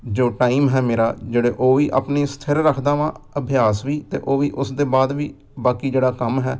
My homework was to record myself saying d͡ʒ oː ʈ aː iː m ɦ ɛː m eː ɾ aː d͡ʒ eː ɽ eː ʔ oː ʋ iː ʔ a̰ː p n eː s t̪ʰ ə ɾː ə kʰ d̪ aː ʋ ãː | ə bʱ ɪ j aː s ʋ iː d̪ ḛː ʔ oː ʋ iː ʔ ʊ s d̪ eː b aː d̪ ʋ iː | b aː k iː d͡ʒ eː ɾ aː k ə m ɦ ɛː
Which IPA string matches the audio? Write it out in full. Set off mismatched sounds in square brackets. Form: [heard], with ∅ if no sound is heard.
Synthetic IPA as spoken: d͡ʒ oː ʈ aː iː m ɦ ɛː m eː ɾ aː d͡ʒ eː ɽ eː ʔ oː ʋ iː ʔ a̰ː p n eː s t̪ʰ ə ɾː ə kʰ d̪ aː ʋ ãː | ə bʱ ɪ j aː s ʋ iː [t̪] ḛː ʔ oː ʋ iː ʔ ʊ s d̪ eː b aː d̪ ʋ iː | b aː k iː d͡ʒ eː [ɽ] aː k ə m ɦ ɛː